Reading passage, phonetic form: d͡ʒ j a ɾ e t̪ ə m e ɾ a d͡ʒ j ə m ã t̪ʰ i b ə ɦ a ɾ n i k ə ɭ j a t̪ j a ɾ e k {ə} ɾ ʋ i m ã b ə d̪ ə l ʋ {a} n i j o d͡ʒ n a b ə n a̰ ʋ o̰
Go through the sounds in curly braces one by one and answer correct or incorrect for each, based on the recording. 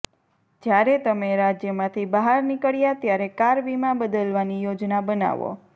incorrect, correct

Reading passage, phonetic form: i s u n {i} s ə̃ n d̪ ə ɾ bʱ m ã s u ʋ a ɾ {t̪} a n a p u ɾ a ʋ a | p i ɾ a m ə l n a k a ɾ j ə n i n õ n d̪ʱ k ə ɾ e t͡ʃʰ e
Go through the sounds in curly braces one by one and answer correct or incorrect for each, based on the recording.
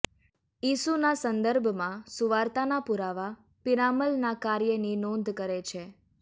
incorrect, correct

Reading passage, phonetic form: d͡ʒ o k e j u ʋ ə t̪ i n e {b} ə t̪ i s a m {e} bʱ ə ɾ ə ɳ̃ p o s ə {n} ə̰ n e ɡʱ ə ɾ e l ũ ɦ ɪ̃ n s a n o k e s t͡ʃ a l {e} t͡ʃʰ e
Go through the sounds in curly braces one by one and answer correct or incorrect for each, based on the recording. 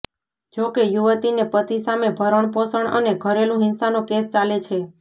incorrect, correct, incorrect, correct

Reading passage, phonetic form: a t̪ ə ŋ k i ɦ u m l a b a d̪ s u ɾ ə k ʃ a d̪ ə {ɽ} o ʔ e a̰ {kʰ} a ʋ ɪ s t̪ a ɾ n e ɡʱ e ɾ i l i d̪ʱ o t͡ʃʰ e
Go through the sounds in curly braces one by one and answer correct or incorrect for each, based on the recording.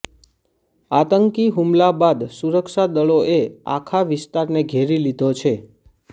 incorrect, correct

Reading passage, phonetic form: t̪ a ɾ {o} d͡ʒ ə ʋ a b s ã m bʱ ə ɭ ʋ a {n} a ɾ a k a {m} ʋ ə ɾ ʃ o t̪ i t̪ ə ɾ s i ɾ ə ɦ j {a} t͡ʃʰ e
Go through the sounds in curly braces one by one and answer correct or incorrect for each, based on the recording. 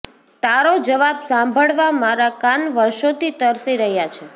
correct, incorrect, incorrect, correct

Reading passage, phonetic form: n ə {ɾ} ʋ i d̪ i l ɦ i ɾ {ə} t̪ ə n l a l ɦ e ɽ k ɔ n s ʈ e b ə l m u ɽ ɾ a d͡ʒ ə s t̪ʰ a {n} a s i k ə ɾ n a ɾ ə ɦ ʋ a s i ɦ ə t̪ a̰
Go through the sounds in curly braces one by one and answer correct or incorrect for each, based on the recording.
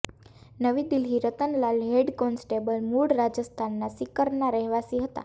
incorrect, correct, incorrect

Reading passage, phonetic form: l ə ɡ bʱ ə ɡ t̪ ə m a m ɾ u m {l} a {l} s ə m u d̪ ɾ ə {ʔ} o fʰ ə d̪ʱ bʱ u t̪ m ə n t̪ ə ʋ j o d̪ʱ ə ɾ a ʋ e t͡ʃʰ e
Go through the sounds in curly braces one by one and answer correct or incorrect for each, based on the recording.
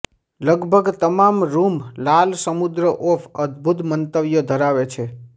correct, correct, correct

